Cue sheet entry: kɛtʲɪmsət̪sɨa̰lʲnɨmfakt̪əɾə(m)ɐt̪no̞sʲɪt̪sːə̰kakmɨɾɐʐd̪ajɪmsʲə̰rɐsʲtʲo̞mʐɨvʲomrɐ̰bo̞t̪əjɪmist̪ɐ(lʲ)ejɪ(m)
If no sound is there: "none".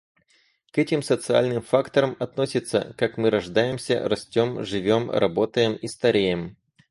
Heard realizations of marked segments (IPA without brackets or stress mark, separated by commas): m, ɾʲ, m